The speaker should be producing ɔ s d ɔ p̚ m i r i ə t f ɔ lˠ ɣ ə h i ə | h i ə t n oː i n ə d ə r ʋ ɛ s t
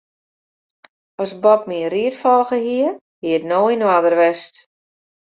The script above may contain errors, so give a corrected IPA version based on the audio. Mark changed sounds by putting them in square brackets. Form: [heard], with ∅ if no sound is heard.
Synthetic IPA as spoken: ɔ s [b] ɔ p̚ m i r i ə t f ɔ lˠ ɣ ə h i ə | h i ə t n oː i n [a] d ə r ʋ ɛ s t